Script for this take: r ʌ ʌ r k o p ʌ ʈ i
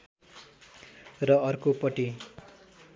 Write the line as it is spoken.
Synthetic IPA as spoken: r ʌ ʌ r k o p ʌ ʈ i